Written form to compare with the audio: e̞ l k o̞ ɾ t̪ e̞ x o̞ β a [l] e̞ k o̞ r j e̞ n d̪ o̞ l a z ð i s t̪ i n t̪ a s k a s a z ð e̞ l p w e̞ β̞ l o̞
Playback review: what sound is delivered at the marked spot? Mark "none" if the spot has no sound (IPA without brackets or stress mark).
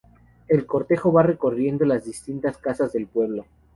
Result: r